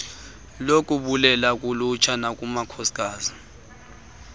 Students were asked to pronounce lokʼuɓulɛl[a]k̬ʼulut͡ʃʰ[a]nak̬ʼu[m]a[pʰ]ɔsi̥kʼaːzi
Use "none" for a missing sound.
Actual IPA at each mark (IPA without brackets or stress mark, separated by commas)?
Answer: a, a, m, kʰ